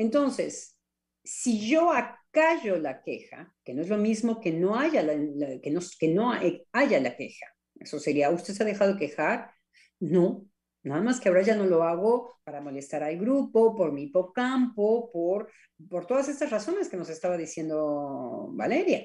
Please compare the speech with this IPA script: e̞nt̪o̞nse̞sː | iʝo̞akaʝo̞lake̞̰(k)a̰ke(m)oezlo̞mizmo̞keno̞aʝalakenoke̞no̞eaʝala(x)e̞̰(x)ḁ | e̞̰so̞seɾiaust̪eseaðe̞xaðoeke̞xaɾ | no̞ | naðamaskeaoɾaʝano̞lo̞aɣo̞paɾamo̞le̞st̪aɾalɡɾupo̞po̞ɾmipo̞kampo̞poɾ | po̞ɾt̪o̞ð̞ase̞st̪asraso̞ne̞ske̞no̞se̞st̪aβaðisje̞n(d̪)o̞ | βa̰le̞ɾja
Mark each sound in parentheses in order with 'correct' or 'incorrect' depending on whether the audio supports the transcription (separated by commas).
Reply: incorrect, incorrect, incorrect, correct, correct